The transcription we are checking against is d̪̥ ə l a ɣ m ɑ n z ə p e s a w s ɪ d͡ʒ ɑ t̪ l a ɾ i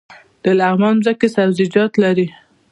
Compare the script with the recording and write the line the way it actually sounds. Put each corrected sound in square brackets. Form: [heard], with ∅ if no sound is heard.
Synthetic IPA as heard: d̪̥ ə l a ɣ m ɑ n z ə [k] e s a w [z] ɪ d͡ʒ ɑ t̪ l a ɾ i